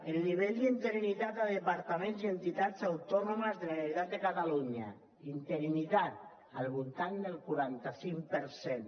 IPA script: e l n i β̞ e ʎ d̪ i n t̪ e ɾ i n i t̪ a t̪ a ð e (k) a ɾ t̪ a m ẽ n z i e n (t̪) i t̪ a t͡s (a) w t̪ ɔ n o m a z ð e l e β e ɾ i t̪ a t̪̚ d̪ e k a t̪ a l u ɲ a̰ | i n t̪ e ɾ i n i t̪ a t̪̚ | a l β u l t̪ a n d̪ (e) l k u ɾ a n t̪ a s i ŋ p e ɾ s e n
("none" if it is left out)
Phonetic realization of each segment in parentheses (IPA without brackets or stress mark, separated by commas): p, t̪, a, e